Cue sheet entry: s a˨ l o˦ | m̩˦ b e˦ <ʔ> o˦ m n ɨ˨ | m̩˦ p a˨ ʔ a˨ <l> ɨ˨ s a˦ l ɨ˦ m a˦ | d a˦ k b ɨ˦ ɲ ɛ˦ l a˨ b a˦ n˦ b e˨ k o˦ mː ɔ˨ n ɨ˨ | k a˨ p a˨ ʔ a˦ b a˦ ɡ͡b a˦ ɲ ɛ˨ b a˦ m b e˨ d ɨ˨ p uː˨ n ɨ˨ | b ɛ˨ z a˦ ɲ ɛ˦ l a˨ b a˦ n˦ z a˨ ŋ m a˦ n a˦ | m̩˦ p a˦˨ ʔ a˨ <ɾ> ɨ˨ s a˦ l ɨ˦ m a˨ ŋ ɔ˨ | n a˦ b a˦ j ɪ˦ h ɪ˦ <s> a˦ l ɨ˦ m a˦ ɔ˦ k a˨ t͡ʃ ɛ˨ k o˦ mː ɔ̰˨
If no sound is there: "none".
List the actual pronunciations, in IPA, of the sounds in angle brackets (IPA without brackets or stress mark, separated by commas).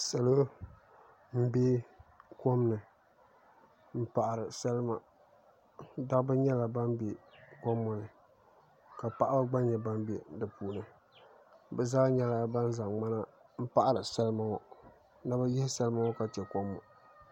k, ɾ, ɾ, s